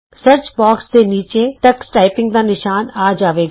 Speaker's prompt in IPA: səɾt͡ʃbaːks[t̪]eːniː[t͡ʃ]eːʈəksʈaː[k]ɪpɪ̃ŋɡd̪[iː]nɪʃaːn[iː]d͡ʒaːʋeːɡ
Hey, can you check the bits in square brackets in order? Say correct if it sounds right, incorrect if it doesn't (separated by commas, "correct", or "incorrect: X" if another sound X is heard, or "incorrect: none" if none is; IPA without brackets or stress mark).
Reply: incorrect: d̪, correct, incorrect: none, incorrect: aː, incorrect: aː